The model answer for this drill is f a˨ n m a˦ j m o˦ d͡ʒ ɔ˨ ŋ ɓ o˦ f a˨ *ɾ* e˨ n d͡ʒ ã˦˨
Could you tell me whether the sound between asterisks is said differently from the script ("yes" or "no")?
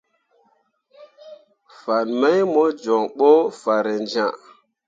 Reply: no